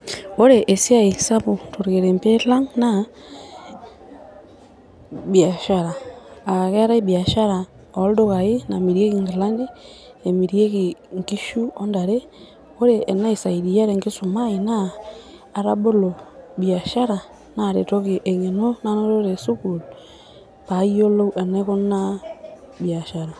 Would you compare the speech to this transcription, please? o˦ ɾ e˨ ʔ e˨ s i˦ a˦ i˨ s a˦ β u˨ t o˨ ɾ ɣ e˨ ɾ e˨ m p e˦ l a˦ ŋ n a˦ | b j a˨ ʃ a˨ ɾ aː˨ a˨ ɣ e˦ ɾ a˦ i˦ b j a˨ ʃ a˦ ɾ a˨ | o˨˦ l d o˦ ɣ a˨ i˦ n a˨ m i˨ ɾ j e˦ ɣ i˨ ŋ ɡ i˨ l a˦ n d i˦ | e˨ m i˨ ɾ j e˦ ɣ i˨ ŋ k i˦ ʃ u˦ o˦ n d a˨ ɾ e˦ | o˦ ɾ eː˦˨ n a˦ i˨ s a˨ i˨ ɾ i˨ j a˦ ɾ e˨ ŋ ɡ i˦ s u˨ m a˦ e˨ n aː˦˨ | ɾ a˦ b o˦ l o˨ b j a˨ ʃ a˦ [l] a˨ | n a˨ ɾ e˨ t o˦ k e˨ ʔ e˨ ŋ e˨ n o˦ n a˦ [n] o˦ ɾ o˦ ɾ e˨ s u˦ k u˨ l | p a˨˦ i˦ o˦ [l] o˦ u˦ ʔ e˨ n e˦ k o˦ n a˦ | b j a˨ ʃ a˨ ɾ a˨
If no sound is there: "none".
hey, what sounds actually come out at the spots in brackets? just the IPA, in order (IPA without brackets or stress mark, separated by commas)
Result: ɾ, n, l